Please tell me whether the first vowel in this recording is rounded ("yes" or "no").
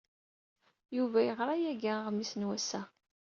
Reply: yes